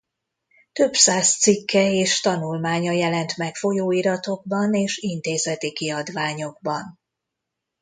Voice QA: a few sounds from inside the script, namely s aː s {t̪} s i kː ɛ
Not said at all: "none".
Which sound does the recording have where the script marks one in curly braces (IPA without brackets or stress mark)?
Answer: t̪